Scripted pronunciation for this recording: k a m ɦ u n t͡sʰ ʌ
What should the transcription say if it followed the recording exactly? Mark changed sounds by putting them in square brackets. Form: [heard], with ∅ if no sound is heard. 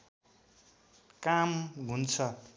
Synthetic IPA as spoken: k a m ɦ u n t͡sʰ ʌ